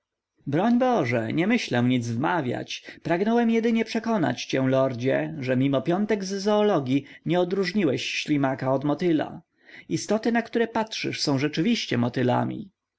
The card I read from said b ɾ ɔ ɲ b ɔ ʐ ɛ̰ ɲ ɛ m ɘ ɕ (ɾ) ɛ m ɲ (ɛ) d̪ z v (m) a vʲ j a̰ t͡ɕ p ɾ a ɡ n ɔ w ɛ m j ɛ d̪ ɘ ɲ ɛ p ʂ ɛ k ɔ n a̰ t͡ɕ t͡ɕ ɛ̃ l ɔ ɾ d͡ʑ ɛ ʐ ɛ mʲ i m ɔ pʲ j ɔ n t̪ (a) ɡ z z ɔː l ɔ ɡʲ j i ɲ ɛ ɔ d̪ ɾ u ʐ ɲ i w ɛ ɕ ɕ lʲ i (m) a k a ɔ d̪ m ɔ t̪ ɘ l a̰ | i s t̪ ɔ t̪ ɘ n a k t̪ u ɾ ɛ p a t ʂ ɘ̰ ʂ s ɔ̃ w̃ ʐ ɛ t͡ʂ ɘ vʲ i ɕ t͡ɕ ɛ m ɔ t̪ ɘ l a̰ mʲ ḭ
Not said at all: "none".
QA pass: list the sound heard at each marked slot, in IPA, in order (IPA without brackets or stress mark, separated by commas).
l, i, m, ɛ, m